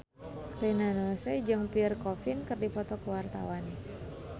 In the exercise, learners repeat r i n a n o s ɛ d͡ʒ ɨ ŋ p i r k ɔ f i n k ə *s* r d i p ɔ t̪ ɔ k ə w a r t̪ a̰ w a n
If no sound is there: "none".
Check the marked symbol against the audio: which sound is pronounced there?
none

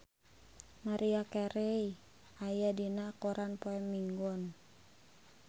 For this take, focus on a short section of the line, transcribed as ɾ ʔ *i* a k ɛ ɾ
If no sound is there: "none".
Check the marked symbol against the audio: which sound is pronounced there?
i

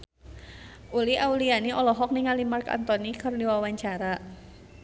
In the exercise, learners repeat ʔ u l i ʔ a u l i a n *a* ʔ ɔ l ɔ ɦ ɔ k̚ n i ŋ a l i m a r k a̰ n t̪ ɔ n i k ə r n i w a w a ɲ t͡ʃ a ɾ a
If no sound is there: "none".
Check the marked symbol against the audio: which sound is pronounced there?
i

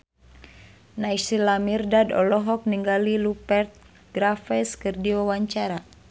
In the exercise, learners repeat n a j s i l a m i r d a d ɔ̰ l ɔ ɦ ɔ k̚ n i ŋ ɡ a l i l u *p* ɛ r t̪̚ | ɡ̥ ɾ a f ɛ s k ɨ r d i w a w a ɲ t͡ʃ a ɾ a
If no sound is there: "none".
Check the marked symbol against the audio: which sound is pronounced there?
p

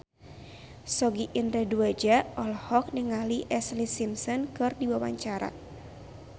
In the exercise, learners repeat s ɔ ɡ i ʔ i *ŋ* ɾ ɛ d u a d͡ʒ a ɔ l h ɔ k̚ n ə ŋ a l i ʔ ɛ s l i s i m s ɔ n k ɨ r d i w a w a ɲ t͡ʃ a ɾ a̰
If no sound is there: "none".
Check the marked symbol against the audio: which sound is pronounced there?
n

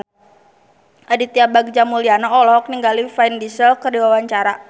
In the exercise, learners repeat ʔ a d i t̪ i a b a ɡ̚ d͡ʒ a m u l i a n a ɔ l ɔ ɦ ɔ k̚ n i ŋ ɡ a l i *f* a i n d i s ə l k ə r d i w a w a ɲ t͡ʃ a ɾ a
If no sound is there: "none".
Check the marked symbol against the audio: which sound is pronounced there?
f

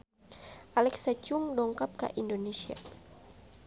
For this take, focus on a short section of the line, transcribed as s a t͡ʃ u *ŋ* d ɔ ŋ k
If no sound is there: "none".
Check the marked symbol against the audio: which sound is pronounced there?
ŋ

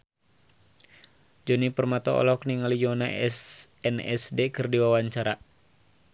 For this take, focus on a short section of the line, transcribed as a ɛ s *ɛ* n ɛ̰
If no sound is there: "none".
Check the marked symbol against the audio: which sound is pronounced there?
ɛ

